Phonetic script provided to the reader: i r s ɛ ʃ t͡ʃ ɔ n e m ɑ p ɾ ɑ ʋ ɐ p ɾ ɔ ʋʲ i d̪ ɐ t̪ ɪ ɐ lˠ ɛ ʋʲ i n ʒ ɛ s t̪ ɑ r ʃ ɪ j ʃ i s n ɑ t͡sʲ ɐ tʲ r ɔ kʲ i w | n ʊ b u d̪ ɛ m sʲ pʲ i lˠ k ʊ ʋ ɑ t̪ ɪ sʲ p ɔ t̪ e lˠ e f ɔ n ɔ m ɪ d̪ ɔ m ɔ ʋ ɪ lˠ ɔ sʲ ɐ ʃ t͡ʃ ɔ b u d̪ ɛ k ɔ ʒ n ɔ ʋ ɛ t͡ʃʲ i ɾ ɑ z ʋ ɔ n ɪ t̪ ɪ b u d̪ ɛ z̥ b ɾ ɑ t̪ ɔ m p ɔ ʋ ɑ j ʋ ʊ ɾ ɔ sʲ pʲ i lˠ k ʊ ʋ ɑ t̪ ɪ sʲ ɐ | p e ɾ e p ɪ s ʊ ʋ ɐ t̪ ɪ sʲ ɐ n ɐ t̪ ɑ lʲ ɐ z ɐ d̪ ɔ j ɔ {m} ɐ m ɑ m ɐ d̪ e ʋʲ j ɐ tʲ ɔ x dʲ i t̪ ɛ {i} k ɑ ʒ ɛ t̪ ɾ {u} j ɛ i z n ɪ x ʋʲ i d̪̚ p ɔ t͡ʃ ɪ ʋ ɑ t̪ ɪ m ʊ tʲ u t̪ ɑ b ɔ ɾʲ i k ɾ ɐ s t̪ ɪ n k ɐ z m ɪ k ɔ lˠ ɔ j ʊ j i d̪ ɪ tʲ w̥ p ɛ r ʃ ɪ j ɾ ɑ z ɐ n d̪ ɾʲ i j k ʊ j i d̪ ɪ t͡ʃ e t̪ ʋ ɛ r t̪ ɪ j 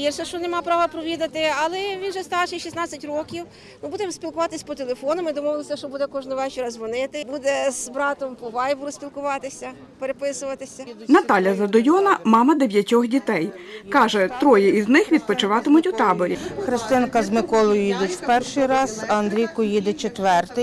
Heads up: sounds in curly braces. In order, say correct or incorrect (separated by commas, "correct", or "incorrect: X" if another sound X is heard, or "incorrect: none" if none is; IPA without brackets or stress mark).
incorrect: n, incorrect: j, incorrect: ɔ